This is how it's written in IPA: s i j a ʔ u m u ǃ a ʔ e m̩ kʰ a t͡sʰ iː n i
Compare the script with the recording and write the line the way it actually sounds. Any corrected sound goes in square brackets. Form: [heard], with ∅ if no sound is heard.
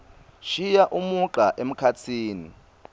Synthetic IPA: [ʃ] i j a ʔ u m u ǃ a ʔ e m̩ kʰ a t͡sʰ iː n i